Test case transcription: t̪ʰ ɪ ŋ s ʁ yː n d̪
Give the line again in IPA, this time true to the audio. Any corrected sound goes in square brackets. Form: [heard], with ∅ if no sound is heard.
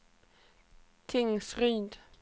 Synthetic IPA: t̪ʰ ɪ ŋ s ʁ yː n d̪